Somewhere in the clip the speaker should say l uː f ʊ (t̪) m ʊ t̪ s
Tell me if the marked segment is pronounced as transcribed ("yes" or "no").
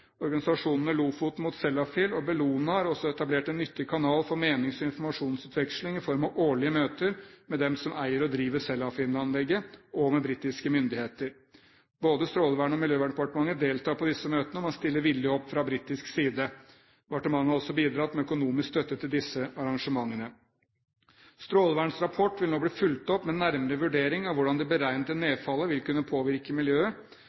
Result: yes